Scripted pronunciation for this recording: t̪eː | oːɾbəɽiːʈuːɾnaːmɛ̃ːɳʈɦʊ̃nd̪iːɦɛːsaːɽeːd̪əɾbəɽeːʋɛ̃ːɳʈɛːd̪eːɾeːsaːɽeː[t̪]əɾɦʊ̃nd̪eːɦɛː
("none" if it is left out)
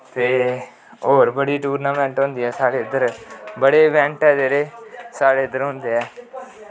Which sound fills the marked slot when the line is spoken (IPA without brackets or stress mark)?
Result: d̪